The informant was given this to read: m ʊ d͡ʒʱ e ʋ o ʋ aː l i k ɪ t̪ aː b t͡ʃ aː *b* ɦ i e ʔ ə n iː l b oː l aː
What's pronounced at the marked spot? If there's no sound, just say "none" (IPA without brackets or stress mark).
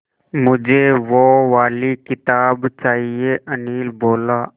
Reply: none